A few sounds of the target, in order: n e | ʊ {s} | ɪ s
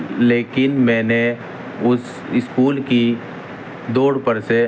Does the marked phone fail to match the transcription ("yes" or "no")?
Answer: no